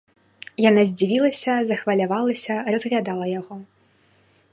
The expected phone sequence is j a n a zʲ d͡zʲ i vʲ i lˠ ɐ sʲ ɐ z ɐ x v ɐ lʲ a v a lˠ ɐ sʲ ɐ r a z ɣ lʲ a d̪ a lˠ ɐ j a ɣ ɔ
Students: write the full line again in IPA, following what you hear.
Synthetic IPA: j a n a zʲ d͡zʲ i vʲ i lˠ ɐ sʲ ɐ z ɐ x v ɐ lʲ a v a lˠ ɐ sʲ ɐ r ɐ z ɣ lʲ a d̪ a lˠ ɐ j a ɣ ɔ